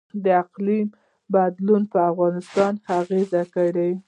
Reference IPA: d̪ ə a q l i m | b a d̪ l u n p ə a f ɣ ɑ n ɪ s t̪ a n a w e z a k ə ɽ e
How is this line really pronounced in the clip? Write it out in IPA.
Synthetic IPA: d̪ ə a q l i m | b a d̪ l u n p ə a f ɣ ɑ n ɪ s t̪ ɑ n a ɣ e z a k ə ɽ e